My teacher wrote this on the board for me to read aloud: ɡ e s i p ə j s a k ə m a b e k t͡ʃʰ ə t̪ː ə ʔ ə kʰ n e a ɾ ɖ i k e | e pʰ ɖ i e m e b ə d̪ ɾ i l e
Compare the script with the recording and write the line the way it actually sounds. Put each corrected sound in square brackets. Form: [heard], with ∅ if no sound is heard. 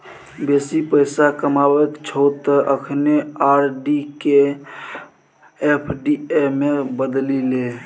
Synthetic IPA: [b] e s i p ə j s a k ə m a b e k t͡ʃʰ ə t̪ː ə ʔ ə kʰ n e a ɾ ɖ i k e | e pʰ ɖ i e m e b ə d̪ [l] i l e